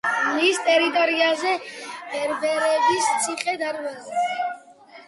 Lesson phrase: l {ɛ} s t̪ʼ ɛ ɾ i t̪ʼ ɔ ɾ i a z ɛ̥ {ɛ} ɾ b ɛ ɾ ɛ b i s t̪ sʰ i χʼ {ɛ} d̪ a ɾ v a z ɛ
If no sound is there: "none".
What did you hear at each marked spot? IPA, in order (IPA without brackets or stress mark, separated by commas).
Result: i, ɛ, ɛ